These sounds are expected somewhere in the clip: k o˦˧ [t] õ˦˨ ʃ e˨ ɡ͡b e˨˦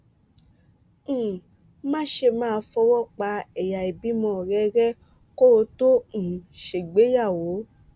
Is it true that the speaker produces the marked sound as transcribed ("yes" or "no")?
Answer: yes